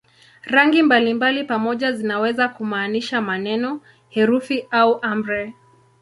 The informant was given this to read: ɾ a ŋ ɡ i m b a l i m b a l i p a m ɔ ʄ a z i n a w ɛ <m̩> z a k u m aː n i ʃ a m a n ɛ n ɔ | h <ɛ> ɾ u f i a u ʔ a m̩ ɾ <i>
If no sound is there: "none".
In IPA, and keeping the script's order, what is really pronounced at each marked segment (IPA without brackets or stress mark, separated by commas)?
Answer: none, ɛ, ɛ